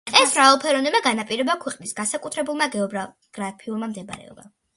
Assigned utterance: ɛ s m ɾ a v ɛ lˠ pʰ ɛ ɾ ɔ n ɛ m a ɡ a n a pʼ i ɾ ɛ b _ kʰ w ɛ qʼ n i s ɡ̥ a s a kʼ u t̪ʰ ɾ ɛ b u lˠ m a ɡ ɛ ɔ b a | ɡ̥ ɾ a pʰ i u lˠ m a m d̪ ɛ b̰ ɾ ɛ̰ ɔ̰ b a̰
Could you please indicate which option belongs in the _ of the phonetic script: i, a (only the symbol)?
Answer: a